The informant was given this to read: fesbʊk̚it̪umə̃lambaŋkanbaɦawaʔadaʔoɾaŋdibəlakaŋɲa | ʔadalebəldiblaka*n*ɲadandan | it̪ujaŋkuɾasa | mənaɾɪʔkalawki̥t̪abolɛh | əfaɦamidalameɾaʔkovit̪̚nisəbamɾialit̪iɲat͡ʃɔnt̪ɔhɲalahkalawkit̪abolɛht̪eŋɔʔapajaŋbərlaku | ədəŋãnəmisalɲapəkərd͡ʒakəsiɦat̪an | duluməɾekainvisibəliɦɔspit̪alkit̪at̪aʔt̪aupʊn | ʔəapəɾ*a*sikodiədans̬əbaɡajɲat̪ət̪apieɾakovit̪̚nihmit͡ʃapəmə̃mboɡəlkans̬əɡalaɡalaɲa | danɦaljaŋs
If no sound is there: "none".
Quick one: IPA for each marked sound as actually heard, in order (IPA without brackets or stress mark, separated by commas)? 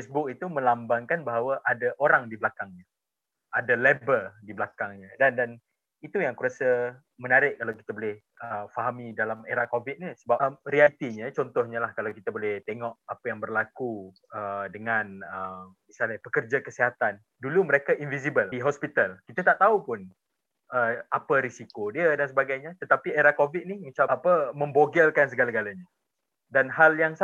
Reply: ŋ, i